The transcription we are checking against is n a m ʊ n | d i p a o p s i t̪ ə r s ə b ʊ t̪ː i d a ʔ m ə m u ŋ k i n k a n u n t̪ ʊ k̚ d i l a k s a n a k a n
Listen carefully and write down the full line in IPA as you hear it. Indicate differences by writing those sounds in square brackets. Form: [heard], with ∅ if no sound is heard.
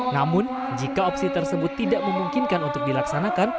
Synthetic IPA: n a m ʊ n | [d͡ʒ] i [k] a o p s i t̪ ə r s ə b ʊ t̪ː i d a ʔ m ə m u ŋ k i n k a n u n t̪ ʊ k̚ d i l a k s a n a k a n